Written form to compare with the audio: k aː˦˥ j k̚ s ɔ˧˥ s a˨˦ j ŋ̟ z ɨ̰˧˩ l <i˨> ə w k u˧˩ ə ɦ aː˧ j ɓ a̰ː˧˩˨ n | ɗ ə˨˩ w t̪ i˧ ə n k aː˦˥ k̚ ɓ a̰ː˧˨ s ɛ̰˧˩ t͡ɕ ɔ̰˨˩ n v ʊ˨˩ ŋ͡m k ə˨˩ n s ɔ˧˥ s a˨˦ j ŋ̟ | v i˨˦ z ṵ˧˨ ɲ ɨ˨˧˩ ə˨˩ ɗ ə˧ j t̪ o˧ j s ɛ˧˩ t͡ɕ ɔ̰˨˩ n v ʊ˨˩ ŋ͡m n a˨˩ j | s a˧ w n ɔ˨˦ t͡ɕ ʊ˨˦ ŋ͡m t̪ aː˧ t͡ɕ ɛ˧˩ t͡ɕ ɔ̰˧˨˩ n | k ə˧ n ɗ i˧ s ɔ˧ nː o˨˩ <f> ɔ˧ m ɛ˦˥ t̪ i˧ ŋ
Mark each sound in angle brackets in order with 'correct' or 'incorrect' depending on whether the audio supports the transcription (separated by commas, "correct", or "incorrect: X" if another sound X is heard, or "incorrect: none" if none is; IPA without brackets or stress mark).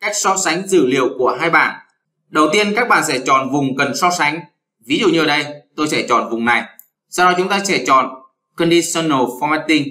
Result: correct, correct